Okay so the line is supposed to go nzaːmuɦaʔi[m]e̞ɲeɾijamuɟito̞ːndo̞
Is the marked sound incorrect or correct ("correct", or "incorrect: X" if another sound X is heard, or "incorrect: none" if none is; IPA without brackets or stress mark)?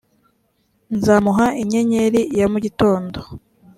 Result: incorrect: ɲ